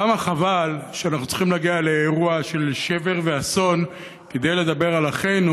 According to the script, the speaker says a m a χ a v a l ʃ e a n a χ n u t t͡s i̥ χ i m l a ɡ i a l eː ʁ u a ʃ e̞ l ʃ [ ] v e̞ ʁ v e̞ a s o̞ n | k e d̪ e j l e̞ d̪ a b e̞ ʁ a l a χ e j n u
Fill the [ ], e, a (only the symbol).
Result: e